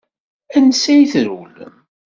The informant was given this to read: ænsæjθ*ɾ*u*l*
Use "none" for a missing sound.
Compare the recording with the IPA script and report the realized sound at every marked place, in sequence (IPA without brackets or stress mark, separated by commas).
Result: ɾ, l